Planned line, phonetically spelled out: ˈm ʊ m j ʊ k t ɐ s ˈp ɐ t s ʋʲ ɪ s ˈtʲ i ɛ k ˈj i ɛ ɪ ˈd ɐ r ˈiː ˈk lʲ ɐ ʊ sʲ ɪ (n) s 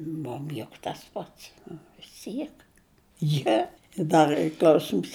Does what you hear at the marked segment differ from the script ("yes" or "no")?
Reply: yes